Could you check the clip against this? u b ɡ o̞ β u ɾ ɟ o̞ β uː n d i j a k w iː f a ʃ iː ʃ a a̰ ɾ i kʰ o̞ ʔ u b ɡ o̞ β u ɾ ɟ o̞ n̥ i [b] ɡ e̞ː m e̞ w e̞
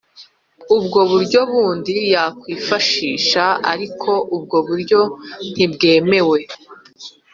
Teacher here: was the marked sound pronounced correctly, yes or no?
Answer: yes